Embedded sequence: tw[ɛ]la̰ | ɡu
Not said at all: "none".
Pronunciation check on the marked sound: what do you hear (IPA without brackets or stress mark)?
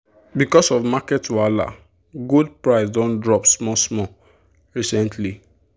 a